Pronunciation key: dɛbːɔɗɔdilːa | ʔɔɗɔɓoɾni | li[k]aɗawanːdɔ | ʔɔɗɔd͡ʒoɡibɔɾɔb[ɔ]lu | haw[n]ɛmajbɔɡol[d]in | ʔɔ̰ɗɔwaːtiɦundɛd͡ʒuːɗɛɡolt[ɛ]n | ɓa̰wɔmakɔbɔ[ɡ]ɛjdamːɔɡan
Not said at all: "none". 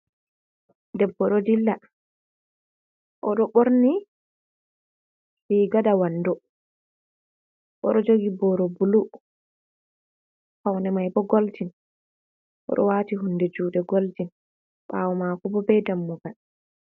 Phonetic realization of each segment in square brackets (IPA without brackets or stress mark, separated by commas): ɡ, u, n, t, i, b